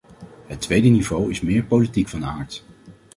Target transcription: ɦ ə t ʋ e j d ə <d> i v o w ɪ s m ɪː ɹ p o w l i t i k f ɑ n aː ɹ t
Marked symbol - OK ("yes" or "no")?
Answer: no